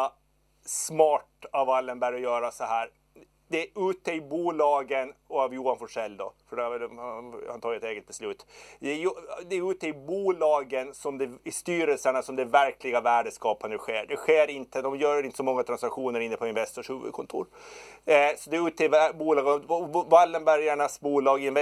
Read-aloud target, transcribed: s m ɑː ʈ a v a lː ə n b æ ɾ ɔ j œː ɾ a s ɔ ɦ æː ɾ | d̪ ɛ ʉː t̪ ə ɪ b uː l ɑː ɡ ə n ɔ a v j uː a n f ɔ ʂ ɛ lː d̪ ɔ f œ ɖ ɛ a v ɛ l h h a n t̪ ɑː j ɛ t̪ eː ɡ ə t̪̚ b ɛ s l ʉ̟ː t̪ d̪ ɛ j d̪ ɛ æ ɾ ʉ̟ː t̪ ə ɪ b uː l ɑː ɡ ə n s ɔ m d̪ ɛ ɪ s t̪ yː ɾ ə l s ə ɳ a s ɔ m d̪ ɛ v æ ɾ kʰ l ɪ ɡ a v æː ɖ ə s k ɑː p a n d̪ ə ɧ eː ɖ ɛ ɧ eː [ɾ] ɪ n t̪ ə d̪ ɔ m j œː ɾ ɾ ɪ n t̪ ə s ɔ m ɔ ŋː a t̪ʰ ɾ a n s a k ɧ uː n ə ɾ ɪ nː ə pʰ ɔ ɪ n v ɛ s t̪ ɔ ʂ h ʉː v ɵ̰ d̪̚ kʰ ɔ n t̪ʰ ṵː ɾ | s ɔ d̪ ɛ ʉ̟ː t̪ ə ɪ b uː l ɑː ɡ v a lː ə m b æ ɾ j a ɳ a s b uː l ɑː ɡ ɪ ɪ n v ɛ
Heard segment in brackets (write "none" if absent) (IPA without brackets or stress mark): ɾ